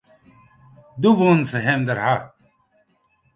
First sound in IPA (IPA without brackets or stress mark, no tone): d̪